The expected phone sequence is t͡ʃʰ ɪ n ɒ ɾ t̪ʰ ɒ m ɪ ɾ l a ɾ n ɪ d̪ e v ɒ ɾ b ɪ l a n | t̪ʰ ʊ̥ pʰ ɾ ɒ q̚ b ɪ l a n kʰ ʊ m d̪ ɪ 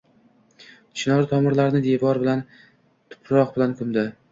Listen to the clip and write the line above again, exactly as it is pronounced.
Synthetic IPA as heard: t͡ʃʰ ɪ n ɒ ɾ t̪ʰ ɒ m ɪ ɾ l a ɾ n ɪ d̪ e v ɒ ɾ b ɪ l a n | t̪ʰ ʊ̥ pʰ ɾ ɒ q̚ b ɪ l a n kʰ ʊ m d̪ ɪ